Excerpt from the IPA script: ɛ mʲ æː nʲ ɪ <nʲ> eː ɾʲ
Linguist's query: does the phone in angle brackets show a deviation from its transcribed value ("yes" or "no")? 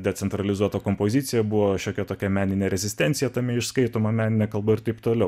no